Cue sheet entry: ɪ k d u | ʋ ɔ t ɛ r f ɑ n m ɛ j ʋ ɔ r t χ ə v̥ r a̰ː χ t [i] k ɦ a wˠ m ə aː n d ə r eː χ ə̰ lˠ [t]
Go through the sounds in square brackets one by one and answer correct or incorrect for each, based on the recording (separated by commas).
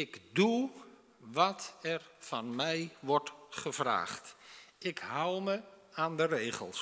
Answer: incorrect, incorrect